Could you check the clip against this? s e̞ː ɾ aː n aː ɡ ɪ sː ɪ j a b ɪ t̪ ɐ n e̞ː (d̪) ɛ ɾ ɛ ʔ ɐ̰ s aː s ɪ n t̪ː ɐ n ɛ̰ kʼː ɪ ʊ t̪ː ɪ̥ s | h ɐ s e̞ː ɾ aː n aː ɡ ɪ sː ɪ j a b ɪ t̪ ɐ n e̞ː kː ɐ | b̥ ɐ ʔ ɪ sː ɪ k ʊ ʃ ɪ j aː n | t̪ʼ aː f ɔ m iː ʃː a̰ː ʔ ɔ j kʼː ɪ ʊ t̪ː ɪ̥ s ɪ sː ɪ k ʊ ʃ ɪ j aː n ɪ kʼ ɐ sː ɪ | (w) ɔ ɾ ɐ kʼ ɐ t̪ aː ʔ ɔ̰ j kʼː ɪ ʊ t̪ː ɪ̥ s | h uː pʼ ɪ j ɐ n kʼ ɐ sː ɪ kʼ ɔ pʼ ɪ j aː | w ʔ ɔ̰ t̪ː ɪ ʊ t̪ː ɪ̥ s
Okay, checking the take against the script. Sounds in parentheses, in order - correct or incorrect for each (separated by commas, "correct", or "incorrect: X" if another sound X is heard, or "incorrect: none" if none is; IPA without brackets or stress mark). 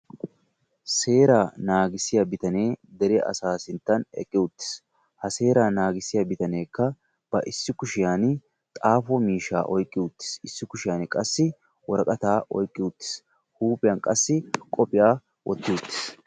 correct, correct